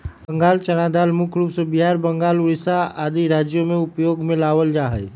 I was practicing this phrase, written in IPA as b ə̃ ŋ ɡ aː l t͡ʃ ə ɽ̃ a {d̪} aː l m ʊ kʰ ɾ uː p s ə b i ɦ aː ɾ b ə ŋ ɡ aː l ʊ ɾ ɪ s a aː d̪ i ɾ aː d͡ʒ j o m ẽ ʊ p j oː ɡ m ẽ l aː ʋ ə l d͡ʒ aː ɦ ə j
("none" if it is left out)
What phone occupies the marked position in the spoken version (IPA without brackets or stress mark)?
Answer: d̪